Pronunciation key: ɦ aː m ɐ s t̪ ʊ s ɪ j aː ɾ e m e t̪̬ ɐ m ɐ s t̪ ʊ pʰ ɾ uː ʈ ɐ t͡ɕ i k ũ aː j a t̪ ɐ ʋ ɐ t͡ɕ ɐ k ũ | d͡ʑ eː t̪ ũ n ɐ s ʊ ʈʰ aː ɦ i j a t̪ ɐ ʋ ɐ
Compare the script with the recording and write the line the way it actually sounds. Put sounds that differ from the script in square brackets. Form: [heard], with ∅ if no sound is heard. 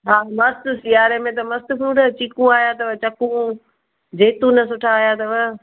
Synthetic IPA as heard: ɦ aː m ɐ s t̪ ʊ s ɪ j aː ɾ e m [ẽ] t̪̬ ɐ m ɐ s t̪ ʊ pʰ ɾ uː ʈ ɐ t͡ɕ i k ũ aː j a t̪ ɐ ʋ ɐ t͡ɕ ɐ k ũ | d͡ʑ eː t̪ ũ n ɐ s ʊ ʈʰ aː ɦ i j a t̪ ɐ ʋ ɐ

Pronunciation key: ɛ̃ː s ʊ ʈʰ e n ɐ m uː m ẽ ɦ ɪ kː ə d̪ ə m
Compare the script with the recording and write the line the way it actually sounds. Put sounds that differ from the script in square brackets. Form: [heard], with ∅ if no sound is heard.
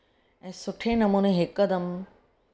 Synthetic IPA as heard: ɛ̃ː s ʊ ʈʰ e n ɐ m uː [n] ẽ ɦ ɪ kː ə d̪ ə m

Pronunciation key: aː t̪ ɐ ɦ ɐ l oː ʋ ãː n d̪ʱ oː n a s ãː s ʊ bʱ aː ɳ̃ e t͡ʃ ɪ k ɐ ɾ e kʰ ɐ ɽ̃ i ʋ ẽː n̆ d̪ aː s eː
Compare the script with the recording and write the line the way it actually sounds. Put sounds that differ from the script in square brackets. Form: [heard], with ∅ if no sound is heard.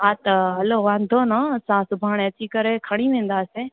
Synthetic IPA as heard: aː t̪ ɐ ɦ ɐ l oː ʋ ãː n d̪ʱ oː n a s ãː s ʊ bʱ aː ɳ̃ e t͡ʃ [i] k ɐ ɾ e kʰ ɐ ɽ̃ i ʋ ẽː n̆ d̪ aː s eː

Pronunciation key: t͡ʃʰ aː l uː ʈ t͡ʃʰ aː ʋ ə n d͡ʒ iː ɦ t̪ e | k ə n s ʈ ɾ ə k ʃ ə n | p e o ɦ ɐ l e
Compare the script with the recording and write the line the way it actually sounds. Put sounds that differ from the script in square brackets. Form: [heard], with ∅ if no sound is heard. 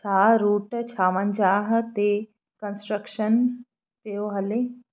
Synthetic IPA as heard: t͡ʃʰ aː [ɾ] uː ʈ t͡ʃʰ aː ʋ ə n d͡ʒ [aː] ɦ t̪ e | k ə n s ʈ ɾ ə k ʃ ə n | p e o ɦ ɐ l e

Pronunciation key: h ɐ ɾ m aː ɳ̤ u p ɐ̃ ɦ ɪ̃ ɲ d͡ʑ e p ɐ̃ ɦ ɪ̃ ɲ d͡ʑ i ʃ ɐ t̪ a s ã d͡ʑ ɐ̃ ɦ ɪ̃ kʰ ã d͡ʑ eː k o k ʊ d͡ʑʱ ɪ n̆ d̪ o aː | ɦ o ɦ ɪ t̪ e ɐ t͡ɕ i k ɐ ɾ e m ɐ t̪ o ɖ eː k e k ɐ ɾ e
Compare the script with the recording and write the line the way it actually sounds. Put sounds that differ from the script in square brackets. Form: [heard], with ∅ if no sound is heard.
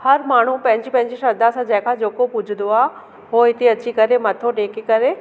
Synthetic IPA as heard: h ɐ ɾ m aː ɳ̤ u p ɐ̃ ɦ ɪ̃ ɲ d͡ʑ [i] p ɐ̃ ɦ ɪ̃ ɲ d͡ʑ i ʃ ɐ [d̪] a s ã d͡ʑ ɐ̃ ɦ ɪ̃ kʰ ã d͡ʑ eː k o [p] ʊ d͡ʑʱ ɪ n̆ d̪ o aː | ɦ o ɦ ɪ t̪ e ɐ t͡ɕ i k ɐ ɾ e m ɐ [t̪ʰ] o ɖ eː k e k ɐ ɾ e

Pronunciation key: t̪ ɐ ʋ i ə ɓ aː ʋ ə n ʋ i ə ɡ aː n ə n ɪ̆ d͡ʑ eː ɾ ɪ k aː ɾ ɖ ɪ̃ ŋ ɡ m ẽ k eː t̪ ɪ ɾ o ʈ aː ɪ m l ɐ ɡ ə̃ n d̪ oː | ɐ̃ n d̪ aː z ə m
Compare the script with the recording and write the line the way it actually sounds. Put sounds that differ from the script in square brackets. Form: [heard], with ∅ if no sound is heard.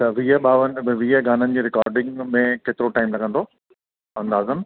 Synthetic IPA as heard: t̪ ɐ ʋ i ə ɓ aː ʋ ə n ʋ i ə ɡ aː n ə n ɪ̆ d͡ʑ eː ɾ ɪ k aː ɾ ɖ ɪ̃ ŋ ɡ m ẽ k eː t̪ ɪ ɾ o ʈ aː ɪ m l ɐ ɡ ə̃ n d̪ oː | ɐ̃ n d̪ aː z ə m

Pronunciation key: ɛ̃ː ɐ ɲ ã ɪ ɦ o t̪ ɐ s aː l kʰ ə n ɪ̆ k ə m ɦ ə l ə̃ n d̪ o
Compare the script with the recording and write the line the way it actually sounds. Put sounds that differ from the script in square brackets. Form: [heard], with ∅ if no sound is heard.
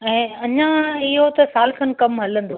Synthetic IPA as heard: ɛ̃ː ɐ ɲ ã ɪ ɦ o t̪ ɐ s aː l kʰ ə n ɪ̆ k [ɐ] m ɦ [ɐ] l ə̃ n d̪ o

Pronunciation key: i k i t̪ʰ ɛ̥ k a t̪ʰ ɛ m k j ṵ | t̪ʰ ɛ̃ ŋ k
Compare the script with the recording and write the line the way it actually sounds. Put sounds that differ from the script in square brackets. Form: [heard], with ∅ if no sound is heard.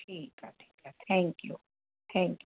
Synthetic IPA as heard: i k [a] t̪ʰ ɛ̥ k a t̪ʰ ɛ [ŋ] k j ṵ | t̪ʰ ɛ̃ ŋ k

